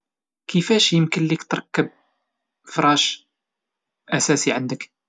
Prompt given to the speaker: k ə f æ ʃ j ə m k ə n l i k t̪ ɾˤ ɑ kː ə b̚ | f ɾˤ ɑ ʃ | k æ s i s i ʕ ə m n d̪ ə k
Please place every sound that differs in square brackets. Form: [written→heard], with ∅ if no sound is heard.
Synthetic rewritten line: k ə f æ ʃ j ə m k ə n l i k t̪ ɾˤ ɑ kː ə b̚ | f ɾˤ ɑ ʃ | [k→ʔ] æ s [i→æ] s i ʕ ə [m→∅] n d̪ ə k

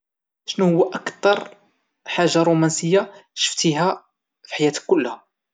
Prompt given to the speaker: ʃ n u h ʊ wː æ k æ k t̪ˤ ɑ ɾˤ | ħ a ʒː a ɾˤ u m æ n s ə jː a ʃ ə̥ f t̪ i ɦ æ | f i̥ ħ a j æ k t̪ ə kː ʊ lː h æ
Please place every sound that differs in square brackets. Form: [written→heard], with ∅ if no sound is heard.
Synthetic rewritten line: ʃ n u h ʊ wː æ [k→ʔ] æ k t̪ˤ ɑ ɾˤ | ħ a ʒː a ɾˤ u m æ n s ə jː a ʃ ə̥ f t̪ i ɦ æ | f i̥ ħ a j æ [k→∅] t̪ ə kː ʊ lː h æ

